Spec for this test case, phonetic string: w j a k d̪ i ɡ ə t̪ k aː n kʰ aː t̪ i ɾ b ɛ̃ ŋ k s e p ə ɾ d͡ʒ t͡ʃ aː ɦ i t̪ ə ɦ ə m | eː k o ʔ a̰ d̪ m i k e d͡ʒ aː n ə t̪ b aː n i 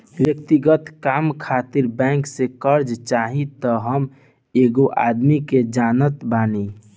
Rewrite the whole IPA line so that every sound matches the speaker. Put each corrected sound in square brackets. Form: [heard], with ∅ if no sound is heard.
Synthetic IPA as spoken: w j [ə] k [t̪] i ɡ ə t̪ k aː [m] kʰ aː t̪ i ɾ b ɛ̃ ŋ k s e [k] ə ɾ d͡ʒ t͡ʃ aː ɦ i t̪ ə ɦ ə m | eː [ɡ] o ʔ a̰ d̪ m i k e d͡ʒ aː n ə t̪ b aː n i